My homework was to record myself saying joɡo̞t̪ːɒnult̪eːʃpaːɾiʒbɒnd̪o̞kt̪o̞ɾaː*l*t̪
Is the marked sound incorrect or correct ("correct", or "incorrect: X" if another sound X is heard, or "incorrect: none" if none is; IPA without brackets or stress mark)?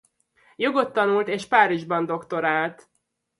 correct